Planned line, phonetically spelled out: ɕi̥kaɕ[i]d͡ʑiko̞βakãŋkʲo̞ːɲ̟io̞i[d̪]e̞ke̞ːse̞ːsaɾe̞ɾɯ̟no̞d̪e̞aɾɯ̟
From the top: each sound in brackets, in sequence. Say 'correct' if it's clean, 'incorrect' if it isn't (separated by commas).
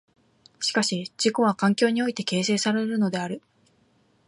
correct, incorrect